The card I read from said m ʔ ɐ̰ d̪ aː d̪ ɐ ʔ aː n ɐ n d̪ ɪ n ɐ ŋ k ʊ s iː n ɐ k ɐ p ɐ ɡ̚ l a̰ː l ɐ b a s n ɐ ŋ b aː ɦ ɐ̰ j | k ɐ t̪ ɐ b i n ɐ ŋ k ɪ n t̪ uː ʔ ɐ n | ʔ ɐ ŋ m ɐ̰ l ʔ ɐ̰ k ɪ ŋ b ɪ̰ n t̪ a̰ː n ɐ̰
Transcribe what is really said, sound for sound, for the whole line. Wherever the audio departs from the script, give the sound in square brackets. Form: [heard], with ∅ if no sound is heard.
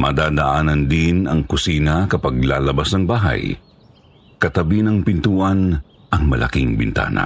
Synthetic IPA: m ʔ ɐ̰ d̪ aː d̪ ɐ ʔ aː n ɐ n d̪ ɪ n ɐ ŋ k ʊ s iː n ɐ k ɐ p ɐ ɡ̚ l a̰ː l ɐ b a s n ɐ ŋ b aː ɦ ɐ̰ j | k ɐ t̪ ɐ b i n ɐ ŋ [p] ɪ n t̪ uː ʔ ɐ n | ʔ ɐ ŋ m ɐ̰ l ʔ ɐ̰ k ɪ ŋ b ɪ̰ n t̪ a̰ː n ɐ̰